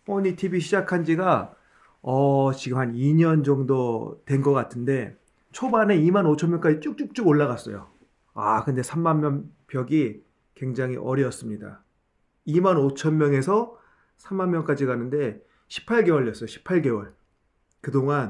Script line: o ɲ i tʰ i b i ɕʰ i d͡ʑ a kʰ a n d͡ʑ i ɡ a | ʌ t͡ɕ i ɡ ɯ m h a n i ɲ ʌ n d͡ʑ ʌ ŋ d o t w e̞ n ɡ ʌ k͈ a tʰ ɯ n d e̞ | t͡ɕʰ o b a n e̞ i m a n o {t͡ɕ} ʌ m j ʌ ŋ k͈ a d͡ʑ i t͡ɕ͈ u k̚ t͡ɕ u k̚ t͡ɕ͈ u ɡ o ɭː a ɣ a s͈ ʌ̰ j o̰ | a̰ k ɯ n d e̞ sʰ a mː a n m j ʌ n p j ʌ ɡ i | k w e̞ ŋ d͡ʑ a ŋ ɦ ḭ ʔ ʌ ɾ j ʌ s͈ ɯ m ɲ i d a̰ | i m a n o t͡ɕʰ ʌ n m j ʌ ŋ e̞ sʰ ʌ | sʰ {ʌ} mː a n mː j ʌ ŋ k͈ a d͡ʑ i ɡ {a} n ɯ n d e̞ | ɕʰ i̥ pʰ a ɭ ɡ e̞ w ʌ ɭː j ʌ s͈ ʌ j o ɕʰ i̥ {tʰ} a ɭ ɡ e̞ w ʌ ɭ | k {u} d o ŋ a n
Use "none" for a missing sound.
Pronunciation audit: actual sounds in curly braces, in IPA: t͡ɕʰ, a, a, pʰ, ɯ

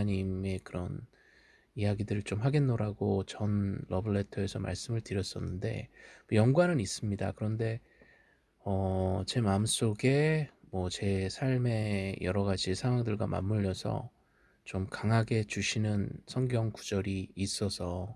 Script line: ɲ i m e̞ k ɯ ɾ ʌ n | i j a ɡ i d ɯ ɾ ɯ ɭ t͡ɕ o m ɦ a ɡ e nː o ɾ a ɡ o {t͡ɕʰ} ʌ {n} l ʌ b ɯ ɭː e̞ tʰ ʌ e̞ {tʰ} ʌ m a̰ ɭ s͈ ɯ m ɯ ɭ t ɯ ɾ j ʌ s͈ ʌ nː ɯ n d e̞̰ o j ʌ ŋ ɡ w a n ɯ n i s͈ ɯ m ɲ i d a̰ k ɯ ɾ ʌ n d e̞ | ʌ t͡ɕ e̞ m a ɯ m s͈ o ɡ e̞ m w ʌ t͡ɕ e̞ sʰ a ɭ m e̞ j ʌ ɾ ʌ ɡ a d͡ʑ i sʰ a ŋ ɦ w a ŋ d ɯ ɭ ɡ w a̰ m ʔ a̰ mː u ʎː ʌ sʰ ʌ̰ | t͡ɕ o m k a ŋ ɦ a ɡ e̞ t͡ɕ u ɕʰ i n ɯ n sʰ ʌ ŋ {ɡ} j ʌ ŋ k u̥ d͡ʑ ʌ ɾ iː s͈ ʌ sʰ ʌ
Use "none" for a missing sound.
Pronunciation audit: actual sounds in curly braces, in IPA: t͡ɕ, n, sʰ, ɡ

